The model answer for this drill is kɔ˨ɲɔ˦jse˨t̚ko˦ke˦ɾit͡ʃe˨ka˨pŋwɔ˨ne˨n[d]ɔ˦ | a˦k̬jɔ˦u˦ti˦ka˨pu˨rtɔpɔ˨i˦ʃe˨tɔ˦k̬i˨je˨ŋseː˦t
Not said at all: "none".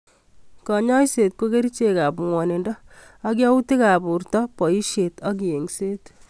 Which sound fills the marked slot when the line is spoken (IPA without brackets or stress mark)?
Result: d